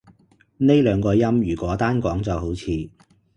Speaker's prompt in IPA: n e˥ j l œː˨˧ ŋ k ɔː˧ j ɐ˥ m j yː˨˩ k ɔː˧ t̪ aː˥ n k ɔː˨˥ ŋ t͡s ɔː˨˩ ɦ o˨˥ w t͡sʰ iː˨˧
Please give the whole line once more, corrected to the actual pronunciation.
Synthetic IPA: n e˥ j l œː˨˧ ŋ k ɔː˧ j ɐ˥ m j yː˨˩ k ɔː˨˥ t̪ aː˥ n k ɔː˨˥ ŋ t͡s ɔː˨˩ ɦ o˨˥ w t͡sʰ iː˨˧